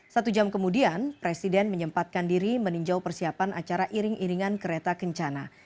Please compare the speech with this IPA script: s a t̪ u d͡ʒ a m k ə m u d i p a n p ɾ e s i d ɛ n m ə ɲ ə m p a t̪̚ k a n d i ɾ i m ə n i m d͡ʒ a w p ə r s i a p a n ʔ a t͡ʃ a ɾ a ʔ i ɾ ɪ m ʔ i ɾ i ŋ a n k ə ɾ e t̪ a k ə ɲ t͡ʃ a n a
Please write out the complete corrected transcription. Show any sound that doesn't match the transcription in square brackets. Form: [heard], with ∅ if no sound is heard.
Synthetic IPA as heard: s a t̪ u d͡ʒ a m k ə m u d i [∅] a n p ɾ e s i d ɛ n m ə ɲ ə m p a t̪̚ k a n d i ɾ i m ə n i [ɲ] d͡ʒ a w p ə r s i a p a n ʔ a t͡ʃ a ɾ a ʔ i ɾ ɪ [ŋ] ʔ i ɾ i ŋ a n k ə ɾ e t̪ a k ə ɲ t͡ʃ a n a